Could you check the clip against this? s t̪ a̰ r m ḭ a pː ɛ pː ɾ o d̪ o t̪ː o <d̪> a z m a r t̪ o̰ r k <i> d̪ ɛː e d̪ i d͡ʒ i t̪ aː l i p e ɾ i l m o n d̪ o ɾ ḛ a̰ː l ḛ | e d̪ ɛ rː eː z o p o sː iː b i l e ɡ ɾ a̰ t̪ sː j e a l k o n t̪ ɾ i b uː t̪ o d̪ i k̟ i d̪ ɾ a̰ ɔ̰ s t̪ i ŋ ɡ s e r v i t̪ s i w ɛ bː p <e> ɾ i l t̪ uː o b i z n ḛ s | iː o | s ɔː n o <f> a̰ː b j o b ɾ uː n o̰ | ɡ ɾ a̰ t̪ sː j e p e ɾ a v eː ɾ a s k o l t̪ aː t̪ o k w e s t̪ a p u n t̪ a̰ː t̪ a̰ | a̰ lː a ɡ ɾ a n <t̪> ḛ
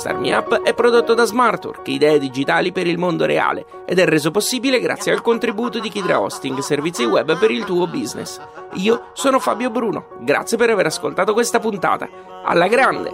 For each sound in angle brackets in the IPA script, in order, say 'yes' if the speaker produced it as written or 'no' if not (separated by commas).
yes, yes, yes, yes, no